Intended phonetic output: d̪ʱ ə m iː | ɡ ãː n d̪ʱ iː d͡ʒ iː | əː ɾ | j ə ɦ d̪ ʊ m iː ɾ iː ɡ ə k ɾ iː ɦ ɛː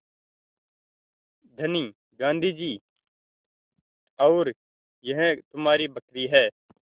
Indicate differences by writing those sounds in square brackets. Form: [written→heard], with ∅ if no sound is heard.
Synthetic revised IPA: d̪ʱ ə [m→n] iː | ɡ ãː n d̪ʱ iː d͡ʒ iː | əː ɾ | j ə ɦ [d̪→t̪] ʊ m [iː→aː] ɾ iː [ɡ→b] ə k ɾ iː ɦ ɛː